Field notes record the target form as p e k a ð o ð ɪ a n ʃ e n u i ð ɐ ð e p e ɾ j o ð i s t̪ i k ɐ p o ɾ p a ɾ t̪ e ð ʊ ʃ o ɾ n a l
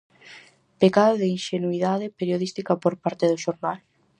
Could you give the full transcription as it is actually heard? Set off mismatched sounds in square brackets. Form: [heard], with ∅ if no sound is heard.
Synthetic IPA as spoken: p e k a ð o ð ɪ [i] n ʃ e n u i ð [a] ð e p e ɾ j o ð i s t̪ i k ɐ p o ɾ p a ɾ t̪ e ð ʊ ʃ o ɾ n a l

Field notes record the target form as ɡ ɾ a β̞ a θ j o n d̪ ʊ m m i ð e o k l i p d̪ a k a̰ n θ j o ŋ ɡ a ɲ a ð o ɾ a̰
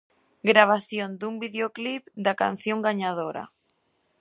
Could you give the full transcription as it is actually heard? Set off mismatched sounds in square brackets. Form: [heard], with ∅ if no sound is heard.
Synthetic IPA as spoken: ɡ ɾ a β̞ a θ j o n d̪ [u] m [b] i ð e o k l i p d̪ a k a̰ n θ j o ŋ ɡ a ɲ a ð o ɾ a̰

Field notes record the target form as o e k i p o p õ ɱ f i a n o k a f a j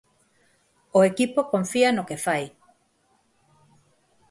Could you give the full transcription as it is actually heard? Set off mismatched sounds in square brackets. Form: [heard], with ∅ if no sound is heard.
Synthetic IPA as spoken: o e k i p o [k] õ ɱ f i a n o k [e] f a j

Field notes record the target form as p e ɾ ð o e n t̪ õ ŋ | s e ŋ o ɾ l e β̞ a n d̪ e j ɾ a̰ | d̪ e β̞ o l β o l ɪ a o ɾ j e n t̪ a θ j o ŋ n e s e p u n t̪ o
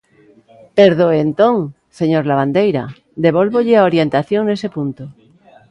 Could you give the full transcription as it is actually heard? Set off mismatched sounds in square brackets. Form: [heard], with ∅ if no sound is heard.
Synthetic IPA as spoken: p e ɾ ð o e n t̪ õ ŋ | s e [ɲ] o ɾ l [a] β̞ a n d̪ e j ɾ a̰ | d̪ e β̞ o l β o [ʎ] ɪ a o ɾ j e n t̪ a θ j o ŋ n e s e p u n t̪ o

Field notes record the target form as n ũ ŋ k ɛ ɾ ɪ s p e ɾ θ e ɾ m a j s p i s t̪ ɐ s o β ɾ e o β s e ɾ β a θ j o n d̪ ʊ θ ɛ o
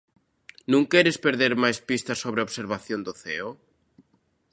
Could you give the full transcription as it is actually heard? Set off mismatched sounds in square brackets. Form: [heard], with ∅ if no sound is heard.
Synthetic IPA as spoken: n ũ ŋ k ɛ ɾ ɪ s p e ɾ [ð] e ɾ m a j s p i s t̪ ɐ s o β ɾ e o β s e ɾ β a θ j o n d̪ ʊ θ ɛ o

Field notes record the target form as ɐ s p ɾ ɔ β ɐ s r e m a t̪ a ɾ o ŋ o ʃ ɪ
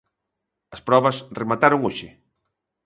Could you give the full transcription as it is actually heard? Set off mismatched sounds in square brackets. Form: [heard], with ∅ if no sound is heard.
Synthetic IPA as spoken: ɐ s p ɾ ɔ β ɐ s r e m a t̪ a ɾ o ŋ o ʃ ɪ

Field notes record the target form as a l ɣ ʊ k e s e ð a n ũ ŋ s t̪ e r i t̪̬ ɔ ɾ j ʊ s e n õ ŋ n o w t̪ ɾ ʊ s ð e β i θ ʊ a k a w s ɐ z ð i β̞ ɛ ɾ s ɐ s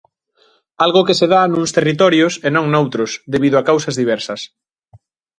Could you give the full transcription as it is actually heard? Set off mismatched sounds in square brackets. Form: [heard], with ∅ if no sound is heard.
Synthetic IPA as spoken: a l ɣ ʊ k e s e ð a n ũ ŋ s t̪ e r i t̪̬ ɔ ɾ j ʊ s e n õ ŋ n o w t̪ ɾ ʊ s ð e β i [ð] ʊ a k a w s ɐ z ð i β̞ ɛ ɾ s ɐ s

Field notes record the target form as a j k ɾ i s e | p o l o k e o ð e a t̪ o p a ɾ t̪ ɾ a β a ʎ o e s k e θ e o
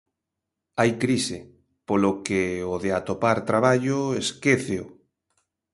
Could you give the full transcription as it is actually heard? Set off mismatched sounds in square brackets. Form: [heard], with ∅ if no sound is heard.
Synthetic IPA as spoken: a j k ɾ i s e | p o l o k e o ð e a t̪ o p a ɾ t̪ ɾ a β a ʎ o e s k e θ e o

